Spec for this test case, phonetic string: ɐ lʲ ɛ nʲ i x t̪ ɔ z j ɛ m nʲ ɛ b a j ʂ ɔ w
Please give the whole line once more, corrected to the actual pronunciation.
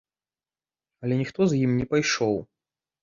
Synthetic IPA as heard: ɐ lʲ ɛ nʲ i x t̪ ɔ z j i m nʲ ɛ p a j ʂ ɔ w